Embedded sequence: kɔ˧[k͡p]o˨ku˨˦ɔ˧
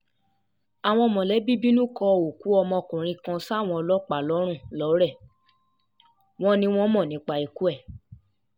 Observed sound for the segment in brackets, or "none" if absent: none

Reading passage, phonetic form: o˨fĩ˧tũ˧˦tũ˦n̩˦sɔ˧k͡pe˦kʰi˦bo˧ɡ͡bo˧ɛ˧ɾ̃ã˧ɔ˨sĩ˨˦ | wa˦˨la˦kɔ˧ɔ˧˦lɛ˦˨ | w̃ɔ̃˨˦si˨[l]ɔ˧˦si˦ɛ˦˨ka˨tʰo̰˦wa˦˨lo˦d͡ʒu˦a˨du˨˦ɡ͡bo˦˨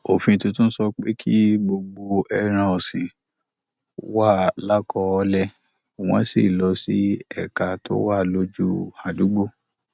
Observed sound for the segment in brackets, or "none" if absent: l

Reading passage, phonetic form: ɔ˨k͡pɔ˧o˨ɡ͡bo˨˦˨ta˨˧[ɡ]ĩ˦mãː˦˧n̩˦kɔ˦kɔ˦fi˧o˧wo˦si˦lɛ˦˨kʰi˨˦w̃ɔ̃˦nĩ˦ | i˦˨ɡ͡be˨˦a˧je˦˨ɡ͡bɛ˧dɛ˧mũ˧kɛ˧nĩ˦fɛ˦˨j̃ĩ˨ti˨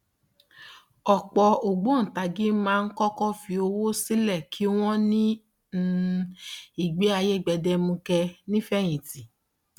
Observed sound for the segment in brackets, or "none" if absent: ɡ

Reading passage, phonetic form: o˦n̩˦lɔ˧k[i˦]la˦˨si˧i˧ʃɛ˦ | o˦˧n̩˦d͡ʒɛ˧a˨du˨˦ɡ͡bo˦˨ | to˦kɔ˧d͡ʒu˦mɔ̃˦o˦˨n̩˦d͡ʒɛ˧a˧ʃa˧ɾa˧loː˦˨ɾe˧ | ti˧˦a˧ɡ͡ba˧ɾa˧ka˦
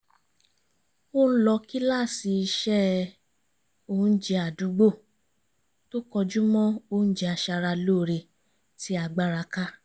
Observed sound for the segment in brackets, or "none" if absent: i˦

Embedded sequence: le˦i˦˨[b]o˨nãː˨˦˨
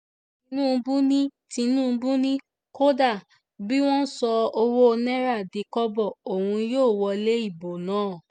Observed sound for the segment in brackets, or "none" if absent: b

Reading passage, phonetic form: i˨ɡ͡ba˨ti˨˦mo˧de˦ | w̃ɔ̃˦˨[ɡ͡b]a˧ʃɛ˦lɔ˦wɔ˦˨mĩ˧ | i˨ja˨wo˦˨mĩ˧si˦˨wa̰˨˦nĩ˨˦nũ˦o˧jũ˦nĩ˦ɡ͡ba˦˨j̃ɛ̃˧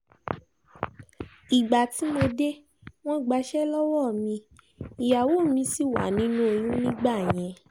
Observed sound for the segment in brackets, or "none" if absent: ɡ͡b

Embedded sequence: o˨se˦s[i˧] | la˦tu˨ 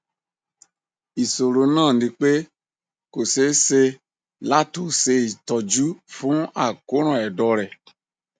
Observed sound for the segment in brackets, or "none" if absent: e˧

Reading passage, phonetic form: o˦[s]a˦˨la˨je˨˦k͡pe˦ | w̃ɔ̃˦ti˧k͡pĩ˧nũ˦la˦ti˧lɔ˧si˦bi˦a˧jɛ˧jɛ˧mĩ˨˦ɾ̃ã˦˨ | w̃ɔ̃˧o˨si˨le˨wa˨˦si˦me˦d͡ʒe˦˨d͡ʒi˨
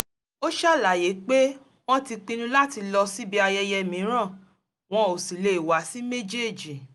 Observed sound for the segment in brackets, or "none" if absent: ʃ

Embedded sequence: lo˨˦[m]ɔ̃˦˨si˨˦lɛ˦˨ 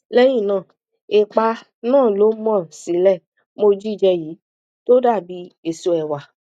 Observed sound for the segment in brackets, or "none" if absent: m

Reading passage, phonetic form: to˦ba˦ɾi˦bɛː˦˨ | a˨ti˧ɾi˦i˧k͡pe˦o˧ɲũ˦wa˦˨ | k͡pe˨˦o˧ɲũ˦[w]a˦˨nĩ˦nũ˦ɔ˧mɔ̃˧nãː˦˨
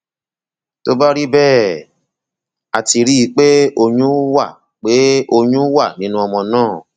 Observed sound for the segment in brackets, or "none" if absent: w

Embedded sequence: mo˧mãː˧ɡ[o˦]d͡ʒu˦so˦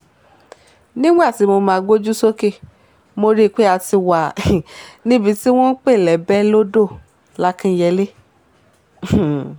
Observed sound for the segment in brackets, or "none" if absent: o˦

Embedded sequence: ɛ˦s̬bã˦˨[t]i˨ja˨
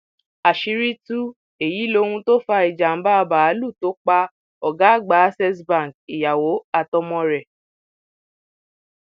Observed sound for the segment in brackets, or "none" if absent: k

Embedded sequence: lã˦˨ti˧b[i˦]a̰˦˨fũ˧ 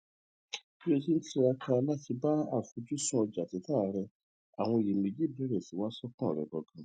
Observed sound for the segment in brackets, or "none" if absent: a˦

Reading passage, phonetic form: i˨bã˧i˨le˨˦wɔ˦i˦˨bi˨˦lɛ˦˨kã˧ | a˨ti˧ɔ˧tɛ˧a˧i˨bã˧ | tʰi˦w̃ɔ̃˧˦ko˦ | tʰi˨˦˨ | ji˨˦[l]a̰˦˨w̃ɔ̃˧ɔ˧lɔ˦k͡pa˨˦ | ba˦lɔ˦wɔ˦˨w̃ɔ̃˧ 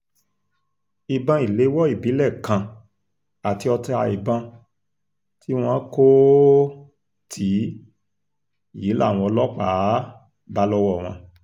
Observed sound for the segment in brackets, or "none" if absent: l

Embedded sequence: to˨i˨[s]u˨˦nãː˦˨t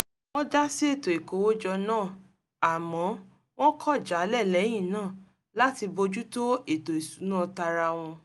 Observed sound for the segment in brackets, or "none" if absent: s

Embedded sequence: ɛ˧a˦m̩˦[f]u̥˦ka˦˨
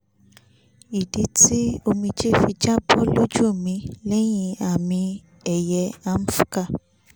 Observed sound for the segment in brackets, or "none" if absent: f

